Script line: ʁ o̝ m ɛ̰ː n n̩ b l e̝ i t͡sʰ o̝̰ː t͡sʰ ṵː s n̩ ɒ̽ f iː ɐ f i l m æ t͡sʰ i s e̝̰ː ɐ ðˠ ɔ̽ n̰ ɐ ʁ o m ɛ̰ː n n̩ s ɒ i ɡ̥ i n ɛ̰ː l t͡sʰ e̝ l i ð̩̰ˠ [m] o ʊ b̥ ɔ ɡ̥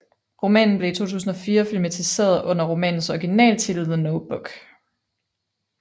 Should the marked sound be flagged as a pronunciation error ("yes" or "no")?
yes